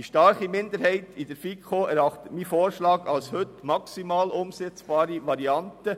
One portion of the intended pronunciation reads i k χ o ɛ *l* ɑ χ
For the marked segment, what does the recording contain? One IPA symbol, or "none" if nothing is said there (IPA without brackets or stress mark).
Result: ɾ